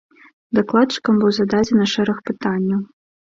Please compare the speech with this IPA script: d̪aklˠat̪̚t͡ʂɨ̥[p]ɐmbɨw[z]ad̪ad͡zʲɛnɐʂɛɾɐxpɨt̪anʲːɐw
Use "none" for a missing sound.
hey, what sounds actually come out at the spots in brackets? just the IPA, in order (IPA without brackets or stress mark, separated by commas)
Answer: k, z